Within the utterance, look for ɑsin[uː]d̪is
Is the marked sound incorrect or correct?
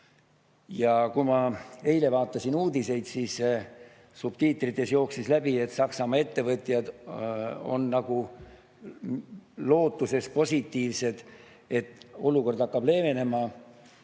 correct